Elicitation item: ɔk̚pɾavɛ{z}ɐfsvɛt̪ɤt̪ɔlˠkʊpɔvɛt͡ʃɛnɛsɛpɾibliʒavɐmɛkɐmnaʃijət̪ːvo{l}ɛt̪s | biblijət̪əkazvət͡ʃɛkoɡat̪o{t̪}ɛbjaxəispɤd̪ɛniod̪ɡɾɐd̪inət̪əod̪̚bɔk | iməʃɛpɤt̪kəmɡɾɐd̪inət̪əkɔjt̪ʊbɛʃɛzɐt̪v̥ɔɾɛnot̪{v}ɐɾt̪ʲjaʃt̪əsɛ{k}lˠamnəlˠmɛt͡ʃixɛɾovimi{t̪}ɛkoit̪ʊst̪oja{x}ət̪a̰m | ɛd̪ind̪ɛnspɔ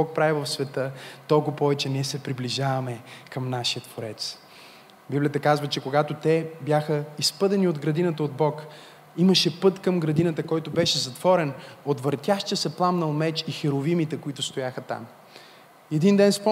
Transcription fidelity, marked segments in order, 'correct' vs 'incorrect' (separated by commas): incorrect, incorrect, correct, correct, incorrect, correct, correct